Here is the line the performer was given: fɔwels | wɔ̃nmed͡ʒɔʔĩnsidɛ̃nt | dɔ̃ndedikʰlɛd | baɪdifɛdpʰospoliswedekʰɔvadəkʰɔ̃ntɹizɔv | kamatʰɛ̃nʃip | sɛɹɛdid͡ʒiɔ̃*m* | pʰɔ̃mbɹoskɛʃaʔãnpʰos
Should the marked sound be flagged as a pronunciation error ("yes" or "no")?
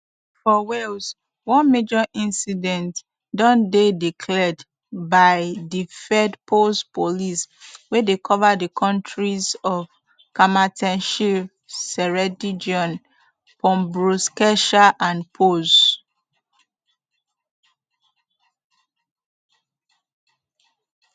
yes